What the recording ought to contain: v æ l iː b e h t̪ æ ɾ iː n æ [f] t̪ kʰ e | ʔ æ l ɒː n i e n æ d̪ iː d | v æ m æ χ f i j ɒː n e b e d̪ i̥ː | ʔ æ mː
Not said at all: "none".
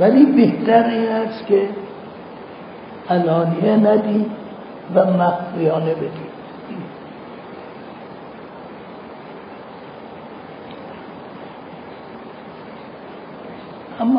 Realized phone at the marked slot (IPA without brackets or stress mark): s